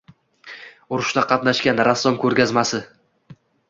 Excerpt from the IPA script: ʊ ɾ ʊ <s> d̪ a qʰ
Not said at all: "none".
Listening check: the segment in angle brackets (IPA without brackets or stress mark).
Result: ʃ